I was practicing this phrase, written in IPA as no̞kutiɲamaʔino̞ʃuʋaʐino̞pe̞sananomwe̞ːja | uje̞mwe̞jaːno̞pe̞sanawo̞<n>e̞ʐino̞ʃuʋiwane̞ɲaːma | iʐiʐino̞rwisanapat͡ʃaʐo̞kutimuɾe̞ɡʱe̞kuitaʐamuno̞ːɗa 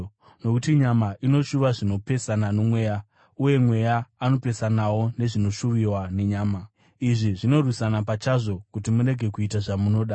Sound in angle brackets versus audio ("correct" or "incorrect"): correct